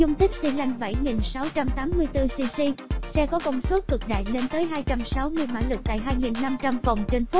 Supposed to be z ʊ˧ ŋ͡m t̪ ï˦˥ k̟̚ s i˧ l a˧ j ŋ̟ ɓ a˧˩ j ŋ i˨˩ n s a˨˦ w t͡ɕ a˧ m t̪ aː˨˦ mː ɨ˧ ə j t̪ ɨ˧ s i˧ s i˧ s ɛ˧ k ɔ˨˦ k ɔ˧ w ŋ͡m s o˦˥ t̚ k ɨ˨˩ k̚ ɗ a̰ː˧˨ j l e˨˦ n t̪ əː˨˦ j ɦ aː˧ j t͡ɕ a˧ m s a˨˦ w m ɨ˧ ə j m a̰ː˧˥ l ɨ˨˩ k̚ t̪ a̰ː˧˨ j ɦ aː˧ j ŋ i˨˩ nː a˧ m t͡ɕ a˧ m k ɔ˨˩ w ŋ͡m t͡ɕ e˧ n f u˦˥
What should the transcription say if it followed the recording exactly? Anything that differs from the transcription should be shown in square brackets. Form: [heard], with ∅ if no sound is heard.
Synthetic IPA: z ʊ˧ ŋ͡m t̪ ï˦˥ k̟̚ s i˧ l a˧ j ŋ̟ ɓ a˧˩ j ŋ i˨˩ n s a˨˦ w t͡ɕ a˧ m t̪ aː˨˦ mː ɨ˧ ə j t̪ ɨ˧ s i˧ s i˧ s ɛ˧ k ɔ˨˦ k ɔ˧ w ŋ͡m s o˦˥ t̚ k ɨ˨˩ k̚ ɗ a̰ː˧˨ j l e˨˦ n t̪ əː˨˦ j ɦ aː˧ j t͡ɕ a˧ m s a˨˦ w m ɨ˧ ə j m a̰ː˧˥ l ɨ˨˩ k̚ t̪ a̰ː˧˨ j ɦ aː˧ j ŋ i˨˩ nː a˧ m t͡ɕ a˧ m k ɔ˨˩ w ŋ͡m t͡ɕ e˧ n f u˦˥

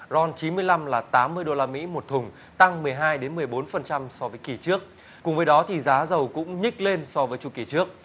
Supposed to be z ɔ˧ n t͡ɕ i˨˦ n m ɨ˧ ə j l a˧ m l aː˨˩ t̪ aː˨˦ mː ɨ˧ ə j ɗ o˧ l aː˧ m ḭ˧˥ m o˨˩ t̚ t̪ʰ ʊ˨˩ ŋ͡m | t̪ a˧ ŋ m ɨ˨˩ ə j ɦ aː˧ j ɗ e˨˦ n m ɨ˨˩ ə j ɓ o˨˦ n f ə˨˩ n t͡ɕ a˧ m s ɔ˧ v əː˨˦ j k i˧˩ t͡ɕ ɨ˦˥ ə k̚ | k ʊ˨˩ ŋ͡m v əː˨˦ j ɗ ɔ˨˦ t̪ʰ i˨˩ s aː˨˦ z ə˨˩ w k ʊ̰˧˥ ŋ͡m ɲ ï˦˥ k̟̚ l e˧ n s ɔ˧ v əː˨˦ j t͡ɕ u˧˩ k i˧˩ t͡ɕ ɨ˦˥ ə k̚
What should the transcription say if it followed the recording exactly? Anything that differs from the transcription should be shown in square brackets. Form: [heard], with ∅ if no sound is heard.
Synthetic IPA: z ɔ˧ n t͡ɕ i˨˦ n m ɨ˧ ə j l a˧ m l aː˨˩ t̪ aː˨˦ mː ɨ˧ ə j ɗ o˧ l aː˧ m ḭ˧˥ m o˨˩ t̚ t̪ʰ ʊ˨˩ ŋ͡m | t̪ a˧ ŋ m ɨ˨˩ ə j ɦ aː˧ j ɗ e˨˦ n m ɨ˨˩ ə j ɓ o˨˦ n f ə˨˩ n t͡ɕ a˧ m s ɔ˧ v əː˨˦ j k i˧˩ t͡ɕ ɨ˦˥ ə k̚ | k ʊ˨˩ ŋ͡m v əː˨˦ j ɗ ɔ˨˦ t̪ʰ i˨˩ [z] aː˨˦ z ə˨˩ w k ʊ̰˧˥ ŋ͡m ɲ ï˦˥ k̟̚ l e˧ n s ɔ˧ v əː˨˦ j t͡ɕ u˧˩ k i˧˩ t͡ɕ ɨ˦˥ ə k̚

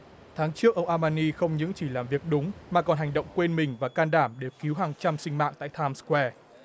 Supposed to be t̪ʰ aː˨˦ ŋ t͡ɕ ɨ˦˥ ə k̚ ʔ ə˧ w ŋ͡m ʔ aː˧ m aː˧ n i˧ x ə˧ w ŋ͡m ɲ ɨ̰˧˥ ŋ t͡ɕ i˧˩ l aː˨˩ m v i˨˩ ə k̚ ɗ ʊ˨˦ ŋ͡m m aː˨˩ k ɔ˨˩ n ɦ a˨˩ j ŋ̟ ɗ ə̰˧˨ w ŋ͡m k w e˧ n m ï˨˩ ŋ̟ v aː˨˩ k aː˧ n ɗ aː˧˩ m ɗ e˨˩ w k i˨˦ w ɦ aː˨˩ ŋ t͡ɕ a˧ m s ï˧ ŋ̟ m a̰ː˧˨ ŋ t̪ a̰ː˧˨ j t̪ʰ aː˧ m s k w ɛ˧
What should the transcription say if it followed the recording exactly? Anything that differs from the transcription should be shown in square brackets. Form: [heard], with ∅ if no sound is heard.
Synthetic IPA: t̪ʰ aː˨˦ ŋ t͡ɕ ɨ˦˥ ə k̚ ʔ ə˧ w ŋ͡m ʔ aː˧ m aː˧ n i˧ x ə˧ w ŋ͡m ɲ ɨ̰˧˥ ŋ t͡ɕ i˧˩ l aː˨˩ m v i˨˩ ə k̚ ɗ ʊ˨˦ ŋ͡m m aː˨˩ k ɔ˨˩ n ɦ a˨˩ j ŋ̟ ɗ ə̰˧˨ w ŋ͡m k w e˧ n m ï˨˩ ŋ̟ v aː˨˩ k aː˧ n ɗ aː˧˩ m ɗ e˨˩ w k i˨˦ w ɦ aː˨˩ ŋ t͡ɕ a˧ m s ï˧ ŋ̟ m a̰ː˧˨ ŋ t̪ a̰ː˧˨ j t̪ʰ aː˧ m s k w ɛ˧

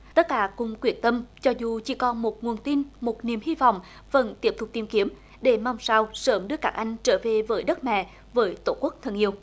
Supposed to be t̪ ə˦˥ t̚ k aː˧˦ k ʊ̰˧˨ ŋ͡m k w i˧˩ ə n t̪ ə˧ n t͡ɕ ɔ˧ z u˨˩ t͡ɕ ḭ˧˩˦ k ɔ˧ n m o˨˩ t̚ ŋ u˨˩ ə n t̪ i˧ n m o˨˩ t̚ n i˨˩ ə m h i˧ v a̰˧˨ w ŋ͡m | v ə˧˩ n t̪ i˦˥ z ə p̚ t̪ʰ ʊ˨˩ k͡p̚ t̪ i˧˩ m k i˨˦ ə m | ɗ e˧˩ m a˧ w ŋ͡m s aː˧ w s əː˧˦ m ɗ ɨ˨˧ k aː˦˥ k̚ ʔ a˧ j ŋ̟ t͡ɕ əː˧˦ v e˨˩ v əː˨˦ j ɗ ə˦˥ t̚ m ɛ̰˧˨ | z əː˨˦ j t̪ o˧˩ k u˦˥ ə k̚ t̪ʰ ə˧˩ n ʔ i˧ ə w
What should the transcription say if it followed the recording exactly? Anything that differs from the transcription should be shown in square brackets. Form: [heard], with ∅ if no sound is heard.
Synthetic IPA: t̪ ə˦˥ t̚ k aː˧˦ k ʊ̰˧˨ ŋ͡m k w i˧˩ ə n t̪ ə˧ [m] t͡ɕ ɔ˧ z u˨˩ t͡ɕ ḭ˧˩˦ k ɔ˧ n m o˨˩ t̚ ŋ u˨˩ ə n t̪ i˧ n m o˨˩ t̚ n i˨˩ ə m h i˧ v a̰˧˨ w ŋ͡m | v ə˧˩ n t̪ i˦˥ [∅] ə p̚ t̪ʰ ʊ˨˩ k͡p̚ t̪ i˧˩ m k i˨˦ ə m | ɗ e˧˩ m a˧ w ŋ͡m s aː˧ w s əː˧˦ m ɗ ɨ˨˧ k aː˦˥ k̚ ʔ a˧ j ŋ̟ t͡ɕ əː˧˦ v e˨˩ v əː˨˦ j ɗ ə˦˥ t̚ m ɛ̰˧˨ | [v] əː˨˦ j t̪ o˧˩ k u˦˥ ə k̚ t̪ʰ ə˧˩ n ʔ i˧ ə w

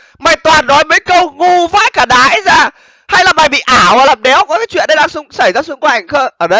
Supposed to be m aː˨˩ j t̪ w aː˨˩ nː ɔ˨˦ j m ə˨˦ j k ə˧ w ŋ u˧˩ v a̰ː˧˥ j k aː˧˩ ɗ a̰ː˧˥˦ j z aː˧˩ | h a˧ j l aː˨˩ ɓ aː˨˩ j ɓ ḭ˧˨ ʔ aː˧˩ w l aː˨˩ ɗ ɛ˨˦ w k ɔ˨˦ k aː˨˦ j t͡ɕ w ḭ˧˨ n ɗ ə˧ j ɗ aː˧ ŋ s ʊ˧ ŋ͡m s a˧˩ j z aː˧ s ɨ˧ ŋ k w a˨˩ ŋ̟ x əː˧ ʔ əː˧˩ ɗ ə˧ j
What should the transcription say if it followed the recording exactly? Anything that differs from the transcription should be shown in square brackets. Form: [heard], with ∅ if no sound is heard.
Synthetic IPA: m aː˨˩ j t̪ w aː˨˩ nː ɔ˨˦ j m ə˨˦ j k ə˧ w ŋ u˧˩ v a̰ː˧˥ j k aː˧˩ ɗ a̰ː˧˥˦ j z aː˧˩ | h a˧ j l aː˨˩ ɓ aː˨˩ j ɓ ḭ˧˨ ʔ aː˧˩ w l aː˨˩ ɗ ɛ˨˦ w k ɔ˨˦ k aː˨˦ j t͡ɕ w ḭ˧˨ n ɗ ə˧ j ɗ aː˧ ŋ s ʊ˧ ŋ͡m s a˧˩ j z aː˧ s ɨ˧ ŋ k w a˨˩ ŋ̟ x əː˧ ʔ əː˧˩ ɗ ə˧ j

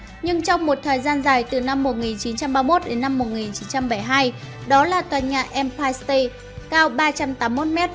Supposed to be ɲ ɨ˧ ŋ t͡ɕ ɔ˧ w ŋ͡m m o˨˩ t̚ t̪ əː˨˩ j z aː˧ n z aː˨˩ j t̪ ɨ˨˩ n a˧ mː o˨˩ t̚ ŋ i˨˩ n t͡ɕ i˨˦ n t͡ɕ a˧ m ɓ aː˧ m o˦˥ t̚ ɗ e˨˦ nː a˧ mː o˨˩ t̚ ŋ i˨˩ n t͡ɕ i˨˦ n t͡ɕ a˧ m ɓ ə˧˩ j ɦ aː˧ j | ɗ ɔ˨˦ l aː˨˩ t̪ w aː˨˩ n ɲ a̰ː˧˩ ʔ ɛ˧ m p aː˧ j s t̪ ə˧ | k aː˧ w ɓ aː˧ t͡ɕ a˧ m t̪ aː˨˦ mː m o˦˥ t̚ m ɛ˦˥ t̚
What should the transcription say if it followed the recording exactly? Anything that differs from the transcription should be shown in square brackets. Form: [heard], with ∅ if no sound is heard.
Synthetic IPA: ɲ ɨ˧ ŋ t͡ɕ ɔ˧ w ŋ͡m m o˨˩ t̚ [t̪ʰ] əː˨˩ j z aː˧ n z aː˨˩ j t̪ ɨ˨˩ n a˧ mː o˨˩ t̚ ŋ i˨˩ n t͡ɕ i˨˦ n t͡ɕ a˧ m ɓ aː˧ m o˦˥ t̚ ɗ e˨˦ nː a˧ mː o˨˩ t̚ ŋ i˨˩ n t͡ɕ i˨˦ n t͡ɕ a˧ m ɓ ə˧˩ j ɦ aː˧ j | ɗ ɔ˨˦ l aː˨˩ t̪ w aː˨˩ n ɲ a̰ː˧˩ ʔ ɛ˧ m p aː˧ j s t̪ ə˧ | k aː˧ w ɓ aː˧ t͡ɕ a˧ m t̪ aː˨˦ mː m o˦˥ t̚ m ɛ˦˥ t̚

